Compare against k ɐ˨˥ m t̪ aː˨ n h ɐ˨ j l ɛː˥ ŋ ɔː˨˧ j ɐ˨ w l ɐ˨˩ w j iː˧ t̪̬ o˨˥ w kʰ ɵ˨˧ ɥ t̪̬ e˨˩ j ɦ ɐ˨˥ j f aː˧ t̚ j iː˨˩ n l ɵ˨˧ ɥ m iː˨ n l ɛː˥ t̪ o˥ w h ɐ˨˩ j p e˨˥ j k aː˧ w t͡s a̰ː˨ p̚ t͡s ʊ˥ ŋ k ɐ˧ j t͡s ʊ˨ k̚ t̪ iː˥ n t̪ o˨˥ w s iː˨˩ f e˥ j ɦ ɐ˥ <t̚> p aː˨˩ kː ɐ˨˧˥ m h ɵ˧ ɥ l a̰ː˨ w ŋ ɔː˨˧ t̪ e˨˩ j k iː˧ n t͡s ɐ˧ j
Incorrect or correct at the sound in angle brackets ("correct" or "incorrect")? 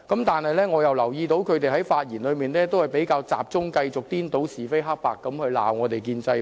incorrect